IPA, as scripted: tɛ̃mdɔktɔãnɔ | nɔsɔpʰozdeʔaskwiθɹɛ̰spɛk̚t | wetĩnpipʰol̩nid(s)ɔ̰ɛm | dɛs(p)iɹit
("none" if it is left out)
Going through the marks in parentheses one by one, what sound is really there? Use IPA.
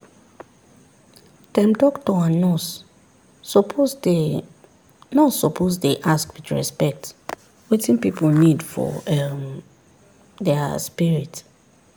f, p

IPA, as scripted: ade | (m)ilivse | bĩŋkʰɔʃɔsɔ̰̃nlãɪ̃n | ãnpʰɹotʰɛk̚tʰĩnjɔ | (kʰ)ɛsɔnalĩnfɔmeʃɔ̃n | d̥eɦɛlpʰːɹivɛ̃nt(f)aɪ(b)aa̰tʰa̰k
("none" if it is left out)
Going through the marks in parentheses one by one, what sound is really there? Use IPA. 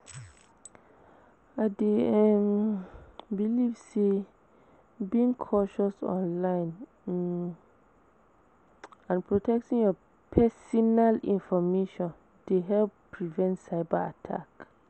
b, pʰ, s, b

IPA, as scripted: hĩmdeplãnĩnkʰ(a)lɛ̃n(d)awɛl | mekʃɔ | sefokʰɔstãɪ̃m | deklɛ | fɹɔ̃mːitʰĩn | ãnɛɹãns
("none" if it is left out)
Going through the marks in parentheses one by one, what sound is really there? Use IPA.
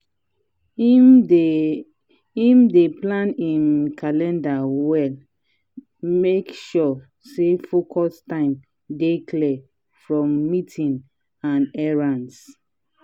a, d

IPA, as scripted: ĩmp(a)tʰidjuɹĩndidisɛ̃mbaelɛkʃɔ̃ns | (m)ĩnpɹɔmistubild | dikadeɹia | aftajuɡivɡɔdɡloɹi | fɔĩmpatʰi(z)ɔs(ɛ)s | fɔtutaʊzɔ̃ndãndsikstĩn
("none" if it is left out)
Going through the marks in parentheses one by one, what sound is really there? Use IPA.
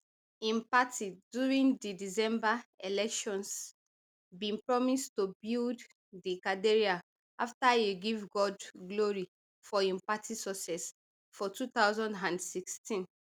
a, b, s, ɛ

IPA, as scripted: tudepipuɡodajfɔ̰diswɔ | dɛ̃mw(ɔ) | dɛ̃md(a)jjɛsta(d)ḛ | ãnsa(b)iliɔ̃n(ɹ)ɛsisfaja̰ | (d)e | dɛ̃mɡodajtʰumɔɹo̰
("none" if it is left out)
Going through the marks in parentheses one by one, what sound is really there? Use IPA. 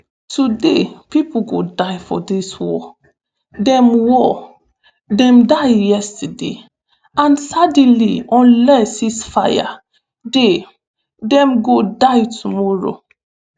ɔ, a, d, d, l, d

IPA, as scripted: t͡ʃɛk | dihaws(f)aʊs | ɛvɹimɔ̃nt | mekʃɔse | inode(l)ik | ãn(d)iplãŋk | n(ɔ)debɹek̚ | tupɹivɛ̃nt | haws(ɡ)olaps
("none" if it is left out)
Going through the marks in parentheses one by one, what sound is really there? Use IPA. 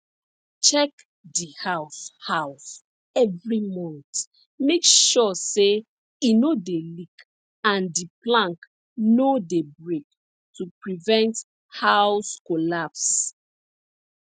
h, l, d, o, k

